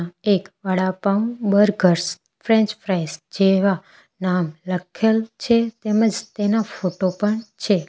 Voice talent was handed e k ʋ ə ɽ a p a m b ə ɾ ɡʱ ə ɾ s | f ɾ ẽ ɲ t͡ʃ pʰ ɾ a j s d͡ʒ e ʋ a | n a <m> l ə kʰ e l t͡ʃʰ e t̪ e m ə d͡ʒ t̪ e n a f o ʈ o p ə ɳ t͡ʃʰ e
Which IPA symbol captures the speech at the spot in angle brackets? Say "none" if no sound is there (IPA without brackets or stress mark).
m